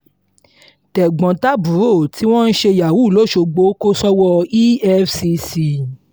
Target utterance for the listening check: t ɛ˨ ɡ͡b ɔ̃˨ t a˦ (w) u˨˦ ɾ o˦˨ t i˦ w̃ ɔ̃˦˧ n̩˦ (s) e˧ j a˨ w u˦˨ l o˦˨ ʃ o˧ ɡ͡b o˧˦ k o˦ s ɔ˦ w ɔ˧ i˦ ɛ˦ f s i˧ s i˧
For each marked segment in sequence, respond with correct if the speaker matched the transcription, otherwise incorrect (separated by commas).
incorrect, incorrect